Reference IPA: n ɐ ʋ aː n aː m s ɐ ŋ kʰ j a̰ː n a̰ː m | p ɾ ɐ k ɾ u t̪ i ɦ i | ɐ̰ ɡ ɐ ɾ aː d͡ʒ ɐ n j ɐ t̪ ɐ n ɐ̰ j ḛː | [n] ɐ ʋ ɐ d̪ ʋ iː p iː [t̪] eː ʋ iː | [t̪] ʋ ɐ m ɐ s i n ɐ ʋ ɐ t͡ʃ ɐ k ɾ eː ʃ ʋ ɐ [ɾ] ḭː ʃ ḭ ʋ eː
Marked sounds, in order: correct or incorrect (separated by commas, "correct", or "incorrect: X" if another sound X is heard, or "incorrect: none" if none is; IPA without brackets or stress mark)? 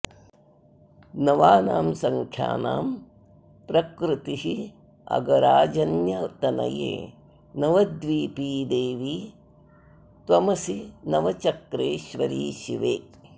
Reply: correct, incorrect: d̪, correct, correct